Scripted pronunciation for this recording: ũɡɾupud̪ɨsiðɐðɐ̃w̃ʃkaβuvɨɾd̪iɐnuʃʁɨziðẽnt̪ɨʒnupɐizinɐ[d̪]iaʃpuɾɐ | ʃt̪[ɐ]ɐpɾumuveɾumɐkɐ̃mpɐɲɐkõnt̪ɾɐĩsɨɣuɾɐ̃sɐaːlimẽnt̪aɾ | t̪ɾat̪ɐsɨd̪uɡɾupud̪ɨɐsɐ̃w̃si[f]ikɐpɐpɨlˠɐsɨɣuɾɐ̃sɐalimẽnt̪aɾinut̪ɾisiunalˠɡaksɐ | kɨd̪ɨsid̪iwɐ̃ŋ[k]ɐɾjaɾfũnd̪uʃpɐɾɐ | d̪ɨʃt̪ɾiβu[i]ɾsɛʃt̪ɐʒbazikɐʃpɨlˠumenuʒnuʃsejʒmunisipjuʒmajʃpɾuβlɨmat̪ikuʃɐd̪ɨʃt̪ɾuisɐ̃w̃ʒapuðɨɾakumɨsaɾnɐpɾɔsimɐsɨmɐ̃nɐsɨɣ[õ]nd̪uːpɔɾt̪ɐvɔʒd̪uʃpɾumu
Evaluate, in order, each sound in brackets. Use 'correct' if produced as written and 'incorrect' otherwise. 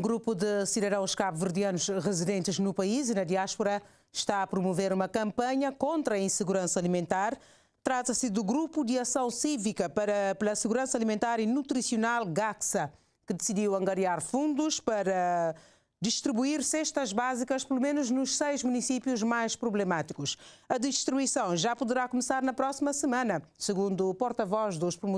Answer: correct, incorrect: a, incorrect: v, incorrect: ɡ, correct, incorrect: ũ

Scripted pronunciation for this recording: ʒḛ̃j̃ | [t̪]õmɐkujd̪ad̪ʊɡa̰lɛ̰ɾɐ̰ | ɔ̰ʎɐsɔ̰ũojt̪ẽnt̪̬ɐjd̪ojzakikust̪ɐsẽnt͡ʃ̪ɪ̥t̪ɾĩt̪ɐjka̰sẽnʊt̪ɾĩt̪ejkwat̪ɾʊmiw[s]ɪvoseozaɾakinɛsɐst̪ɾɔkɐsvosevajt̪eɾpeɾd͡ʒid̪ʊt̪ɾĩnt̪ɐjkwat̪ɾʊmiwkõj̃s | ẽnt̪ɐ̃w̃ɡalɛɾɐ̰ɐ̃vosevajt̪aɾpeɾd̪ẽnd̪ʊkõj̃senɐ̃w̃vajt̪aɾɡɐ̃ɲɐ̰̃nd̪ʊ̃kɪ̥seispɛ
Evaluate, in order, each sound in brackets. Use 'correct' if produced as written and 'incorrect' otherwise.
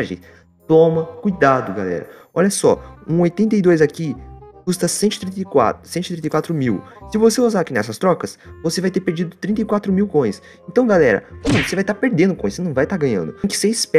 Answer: correct, correct

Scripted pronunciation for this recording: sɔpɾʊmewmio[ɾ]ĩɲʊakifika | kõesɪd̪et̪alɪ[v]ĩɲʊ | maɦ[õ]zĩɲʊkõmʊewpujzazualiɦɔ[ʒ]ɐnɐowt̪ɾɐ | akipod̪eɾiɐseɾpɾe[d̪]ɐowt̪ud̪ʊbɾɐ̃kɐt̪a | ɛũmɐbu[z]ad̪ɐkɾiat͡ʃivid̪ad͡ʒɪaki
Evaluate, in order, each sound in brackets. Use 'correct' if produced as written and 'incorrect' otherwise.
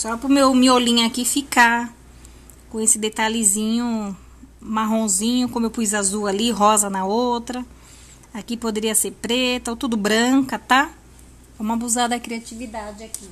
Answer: incorrect: l, incorrect: z, correct, incorrect: z, incorrect: t̪, correct

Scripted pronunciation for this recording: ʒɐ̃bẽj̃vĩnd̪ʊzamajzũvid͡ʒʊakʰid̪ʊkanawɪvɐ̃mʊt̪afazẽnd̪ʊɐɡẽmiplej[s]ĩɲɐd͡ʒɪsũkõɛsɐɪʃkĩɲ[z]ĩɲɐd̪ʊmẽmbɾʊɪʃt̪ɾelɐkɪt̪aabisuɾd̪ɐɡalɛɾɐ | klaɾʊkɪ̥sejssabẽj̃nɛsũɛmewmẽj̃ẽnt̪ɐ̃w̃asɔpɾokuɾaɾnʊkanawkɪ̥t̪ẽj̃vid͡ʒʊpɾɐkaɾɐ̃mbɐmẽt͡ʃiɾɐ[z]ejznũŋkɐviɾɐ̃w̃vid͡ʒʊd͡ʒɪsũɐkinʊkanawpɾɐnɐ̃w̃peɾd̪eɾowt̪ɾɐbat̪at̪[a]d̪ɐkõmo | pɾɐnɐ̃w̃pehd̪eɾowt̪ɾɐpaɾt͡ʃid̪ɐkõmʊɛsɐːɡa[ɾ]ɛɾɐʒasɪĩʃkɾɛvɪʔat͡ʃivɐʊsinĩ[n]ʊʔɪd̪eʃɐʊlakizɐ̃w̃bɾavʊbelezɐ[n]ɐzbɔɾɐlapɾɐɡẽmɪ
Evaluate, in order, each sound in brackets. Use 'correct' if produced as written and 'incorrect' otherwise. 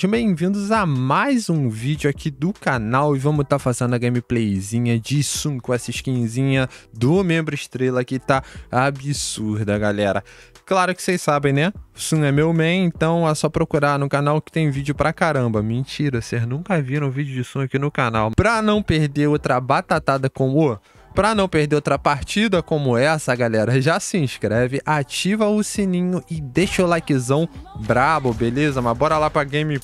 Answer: incorrect: z, correct, incorrect: s, correct, incorrect: l, incorrect: ɲ, incorrect: m

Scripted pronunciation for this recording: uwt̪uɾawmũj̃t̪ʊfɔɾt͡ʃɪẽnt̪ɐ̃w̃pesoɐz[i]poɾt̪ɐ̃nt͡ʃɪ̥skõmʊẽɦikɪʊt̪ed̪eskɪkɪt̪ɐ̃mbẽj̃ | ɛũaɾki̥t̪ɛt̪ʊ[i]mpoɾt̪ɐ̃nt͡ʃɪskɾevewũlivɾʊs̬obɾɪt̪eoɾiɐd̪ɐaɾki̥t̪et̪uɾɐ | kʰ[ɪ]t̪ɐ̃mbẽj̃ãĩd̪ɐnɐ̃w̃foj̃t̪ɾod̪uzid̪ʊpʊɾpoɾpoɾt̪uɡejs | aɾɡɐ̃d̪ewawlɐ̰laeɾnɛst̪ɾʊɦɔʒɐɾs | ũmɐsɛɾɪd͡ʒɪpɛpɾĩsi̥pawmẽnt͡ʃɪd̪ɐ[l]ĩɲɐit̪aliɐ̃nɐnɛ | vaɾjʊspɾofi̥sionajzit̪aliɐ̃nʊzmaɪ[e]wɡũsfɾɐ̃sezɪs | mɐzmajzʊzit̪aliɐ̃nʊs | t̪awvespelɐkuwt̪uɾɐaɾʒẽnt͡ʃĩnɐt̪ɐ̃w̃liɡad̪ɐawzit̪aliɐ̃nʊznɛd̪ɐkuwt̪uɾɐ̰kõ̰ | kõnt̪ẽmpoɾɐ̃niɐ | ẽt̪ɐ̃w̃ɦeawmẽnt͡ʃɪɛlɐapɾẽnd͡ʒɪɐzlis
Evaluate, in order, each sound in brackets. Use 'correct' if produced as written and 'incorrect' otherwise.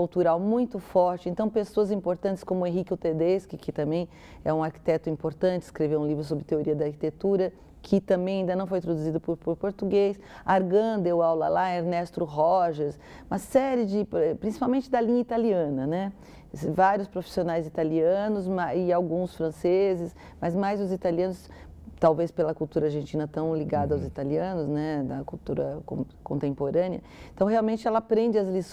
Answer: incorrect: ĩ, incorrect: ĩ, correct, correct, incorrect: a

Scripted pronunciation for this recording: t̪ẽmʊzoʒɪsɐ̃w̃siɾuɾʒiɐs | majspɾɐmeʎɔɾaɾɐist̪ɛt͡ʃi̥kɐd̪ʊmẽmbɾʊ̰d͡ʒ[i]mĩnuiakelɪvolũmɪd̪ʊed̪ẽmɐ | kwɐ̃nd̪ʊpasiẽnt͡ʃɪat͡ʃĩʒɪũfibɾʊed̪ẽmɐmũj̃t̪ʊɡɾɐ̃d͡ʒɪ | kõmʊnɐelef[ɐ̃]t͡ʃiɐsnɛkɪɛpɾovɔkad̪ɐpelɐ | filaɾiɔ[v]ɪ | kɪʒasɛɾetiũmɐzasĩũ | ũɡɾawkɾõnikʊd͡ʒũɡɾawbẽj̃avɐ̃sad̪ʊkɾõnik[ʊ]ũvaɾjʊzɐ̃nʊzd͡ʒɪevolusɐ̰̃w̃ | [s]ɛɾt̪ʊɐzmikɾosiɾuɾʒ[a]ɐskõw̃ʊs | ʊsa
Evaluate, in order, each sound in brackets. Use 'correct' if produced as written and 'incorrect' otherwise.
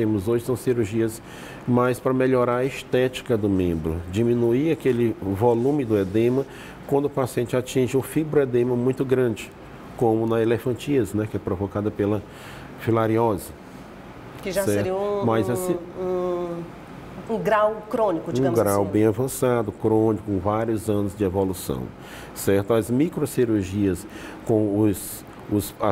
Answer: correct, correct, incorrect: z, correct, correct, incorrect: i

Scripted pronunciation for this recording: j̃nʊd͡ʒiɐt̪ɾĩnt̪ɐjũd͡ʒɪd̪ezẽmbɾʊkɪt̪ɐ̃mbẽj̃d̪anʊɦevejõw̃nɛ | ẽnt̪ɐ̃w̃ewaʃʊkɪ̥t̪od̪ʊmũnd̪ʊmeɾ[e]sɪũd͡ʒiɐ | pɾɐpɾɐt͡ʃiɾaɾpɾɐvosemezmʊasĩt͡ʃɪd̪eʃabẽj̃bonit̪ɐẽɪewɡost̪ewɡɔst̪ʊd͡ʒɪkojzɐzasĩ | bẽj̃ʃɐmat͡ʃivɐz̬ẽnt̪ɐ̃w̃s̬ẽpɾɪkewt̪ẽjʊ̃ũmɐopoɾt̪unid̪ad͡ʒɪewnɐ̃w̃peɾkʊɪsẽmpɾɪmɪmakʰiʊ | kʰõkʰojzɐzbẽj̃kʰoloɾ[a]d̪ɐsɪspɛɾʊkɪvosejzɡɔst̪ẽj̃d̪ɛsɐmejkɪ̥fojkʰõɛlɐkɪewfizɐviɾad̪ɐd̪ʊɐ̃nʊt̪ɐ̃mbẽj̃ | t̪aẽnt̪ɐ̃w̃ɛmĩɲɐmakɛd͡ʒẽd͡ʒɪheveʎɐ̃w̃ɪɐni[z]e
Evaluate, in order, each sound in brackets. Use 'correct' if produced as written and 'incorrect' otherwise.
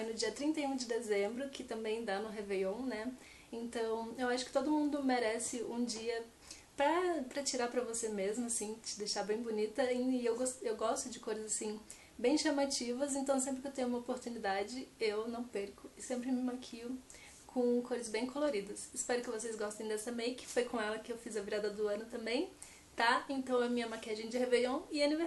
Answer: incorrect: ɛ, incorrect: i, incorrect: v

